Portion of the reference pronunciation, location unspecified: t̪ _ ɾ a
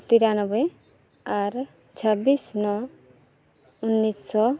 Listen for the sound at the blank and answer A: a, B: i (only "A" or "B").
B